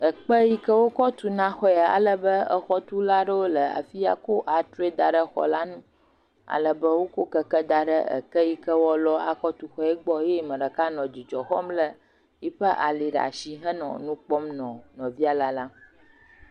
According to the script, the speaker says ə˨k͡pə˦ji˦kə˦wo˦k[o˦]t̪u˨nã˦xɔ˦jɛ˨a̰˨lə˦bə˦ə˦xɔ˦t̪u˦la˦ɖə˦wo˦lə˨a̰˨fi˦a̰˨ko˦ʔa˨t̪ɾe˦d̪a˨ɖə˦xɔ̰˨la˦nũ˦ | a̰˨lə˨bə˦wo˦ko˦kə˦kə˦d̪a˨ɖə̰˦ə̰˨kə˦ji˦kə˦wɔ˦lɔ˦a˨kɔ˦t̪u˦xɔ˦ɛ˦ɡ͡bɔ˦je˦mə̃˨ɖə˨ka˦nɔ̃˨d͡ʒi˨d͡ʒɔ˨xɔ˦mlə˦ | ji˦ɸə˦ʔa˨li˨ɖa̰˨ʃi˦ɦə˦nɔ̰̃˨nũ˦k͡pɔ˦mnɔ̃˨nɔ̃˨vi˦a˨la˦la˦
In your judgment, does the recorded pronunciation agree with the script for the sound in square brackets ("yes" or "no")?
no